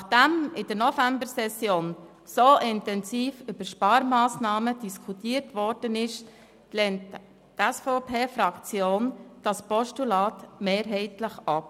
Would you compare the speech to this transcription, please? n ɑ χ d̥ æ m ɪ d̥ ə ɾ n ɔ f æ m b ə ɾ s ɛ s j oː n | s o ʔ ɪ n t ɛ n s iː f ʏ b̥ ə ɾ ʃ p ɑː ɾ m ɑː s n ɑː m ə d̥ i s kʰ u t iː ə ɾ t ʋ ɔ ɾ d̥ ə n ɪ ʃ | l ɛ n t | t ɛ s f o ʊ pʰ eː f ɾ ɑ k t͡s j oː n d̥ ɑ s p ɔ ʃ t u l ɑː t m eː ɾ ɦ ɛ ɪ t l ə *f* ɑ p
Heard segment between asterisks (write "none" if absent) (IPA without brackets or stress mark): χ